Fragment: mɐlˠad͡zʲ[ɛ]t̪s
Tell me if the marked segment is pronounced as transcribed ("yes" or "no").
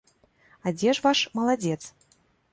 yes